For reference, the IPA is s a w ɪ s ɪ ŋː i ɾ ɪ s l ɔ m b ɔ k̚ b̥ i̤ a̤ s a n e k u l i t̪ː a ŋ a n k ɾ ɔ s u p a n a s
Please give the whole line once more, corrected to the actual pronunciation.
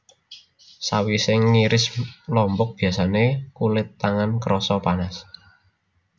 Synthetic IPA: s a w i s ɪ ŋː i ɾ ɪ s l ɔ m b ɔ k̚ b̥ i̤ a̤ s a n e k u l ɪ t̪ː a ŋ a n k ɾ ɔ s ɔ p a n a s